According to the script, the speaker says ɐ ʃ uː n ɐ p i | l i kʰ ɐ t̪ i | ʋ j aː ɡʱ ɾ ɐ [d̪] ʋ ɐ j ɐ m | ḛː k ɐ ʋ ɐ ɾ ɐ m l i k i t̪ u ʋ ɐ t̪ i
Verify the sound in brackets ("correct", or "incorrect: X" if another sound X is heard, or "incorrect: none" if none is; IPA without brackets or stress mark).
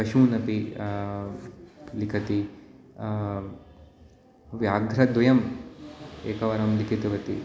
correct